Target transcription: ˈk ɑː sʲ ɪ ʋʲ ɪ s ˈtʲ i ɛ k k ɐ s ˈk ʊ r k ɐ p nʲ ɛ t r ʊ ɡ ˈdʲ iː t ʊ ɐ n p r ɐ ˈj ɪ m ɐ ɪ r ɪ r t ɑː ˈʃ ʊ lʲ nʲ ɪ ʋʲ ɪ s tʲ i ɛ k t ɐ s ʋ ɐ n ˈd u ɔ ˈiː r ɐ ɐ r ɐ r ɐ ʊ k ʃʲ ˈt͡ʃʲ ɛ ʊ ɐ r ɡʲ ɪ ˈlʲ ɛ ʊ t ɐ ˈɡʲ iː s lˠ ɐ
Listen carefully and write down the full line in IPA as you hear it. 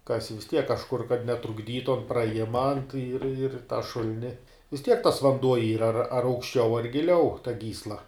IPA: ˈk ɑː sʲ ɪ ʋʲ ɪ s ˈtʲ i ɛ k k ɐ ʃ ˈk ʊ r k ɐ t nʲ ɛ t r ʊ ɡ ˈdʲ iː t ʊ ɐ n p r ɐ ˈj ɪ m ɐ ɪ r ɪ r t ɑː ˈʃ ʊ lʲ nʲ ɪ ʋʲ ɪ s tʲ i ɛ k t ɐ s ʋ ɐ n ˈd u ɔ ˈiː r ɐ ɐ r ɐ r ɐ ʊ k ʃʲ ˈt͡ʃʲ ɛ ʊ ɐ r ɡʲ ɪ ˈlʲ ɛ ʊ t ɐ ˈɡʲ iː s lˠ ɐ